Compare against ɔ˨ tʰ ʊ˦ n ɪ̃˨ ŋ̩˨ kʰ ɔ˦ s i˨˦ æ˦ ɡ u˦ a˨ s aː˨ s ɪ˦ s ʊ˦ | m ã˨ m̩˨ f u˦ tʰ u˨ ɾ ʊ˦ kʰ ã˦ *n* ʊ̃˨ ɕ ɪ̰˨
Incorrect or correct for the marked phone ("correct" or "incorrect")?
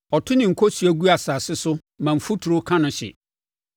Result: correct